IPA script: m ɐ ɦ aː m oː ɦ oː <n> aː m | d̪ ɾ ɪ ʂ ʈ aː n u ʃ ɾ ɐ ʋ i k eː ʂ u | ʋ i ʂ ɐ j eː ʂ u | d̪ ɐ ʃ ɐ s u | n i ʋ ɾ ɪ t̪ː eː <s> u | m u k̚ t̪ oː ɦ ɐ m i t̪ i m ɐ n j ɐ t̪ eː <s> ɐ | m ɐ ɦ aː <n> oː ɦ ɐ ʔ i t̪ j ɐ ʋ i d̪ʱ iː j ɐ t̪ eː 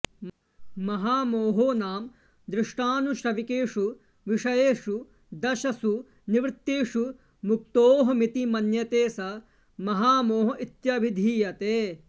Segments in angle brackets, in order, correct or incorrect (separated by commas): correct, incorrect, correct, incorrect